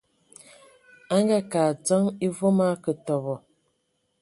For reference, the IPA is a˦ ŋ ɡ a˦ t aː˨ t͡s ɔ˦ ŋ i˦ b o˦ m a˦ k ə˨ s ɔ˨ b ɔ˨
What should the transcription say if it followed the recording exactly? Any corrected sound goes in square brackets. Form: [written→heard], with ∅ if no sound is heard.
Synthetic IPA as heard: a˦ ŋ ɡ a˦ [t→k] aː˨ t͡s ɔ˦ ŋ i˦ [b→v] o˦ m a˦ k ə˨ [s→t] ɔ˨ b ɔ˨